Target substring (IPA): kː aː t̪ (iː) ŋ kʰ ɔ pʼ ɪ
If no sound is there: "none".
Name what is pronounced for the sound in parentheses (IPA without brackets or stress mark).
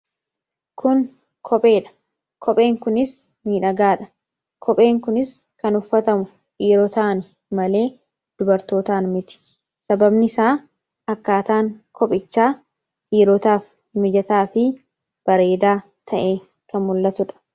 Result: aː